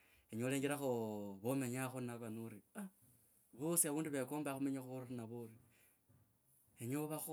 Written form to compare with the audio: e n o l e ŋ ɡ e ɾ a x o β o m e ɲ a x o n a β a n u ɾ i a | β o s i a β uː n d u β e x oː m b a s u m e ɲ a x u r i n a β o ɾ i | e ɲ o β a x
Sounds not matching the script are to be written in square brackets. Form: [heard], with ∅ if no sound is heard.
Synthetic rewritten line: e [ɲ] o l e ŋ ɡ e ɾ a x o β o m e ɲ a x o n a β a n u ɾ i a | β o s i a β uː n d u β e [k] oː m b a [x] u m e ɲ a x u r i n a β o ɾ i | e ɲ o β a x